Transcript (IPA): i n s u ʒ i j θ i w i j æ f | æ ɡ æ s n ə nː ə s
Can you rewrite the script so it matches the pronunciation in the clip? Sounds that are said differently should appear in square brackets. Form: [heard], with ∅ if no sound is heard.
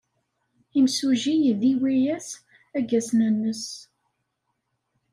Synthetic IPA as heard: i [m] s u ʒ i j [ð] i w i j æ [s] | æ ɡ æ s n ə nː ə s